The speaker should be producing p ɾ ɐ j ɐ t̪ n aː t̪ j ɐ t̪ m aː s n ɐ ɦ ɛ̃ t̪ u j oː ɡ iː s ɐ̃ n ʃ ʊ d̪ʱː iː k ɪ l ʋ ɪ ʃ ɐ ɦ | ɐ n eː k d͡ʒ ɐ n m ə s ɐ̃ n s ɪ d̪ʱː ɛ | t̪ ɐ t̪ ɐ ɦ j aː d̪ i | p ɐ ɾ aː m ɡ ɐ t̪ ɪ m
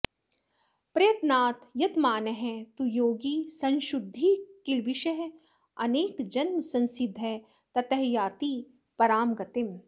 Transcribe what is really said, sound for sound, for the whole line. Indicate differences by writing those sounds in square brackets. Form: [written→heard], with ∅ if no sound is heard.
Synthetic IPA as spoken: p ɾ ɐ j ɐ t̪ n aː t̪ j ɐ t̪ m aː [s→∅] n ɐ ɦ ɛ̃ t̪ u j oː ɡ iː s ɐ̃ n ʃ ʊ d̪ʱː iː k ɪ l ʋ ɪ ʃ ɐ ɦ | ɐ n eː k d͡ʒ ɐ n m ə s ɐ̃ n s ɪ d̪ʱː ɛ | t̪ ɐ t̪ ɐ ɦ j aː [d̪→t̪] i | p ɐ ɾ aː m ɡ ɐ t̪ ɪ m